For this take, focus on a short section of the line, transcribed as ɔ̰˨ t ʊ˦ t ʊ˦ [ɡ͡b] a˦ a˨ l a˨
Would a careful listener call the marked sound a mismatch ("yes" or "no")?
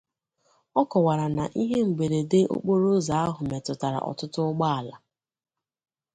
no